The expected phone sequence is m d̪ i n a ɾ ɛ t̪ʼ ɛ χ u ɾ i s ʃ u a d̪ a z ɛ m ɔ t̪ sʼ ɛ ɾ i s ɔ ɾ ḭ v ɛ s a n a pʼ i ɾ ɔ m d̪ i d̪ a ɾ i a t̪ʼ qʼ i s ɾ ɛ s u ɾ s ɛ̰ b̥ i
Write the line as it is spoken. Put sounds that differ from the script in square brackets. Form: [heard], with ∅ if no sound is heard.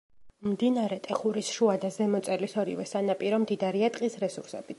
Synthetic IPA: m d̪ i n a ɾ ɛ t̪ʼ ɛ χ u ɾ i s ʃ u a d̪ a z ɛ m ɔ t̪ sʼ ɛ [l] i s ɔ ɾ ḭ v ɛ s a n a pʼ i ɾ ɔ m d̪ i d̪ a ɾ i a t̪ʼ qʼ i s ɾ ɛ s u ɾ s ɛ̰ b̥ i